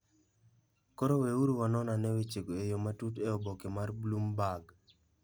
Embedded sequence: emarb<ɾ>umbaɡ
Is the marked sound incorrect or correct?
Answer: incorrect